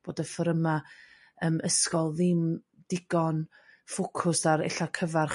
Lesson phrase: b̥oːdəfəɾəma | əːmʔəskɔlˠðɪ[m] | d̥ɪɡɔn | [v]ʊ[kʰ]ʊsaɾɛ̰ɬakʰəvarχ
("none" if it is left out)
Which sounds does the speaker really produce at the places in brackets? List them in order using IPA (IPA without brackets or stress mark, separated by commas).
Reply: m, f, kʰ